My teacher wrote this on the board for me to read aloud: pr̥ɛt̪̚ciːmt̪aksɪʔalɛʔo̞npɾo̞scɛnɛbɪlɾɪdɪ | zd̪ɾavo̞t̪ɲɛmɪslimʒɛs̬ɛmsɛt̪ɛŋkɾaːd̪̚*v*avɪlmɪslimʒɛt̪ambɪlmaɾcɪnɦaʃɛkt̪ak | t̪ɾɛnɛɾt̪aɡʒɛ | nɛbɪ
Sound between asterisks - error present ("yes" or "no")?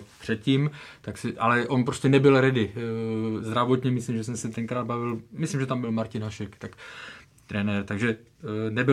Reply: yes